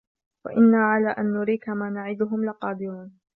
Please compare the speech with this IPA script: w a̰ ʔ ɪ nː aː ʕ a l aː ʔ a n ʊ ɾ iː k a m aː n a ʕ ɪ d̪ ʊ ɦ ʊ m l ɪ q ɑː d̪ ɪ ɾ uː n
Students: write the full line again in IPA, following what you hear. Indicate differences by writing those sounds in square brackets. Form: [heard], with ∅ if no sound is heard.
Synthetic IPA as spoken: w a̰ ʔ ɪ nː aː ʕ a l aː ʔ a [nː] ʊ ɾ iː k a m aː n a ʕ ɪ d̪ ʊ ɦ ʊ m l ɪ q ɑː d̪ ɪ ɾ uː n